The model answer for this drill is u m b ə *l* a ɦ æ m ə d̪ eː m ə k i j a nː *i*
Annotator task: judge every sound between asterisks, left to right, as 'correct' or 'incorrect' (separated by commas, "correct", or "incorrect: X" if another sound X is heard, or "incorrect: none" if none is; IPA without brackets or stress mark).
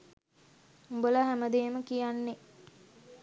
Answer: correct, incorrect: e